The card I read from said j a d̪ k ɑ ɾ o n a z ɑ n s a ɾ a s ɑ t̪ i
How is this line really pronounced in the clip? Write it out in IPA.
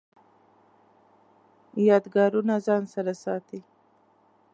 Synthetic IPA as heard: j ɑ d̪ ɡ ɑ ɾ u n a z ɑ n s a ɾ a s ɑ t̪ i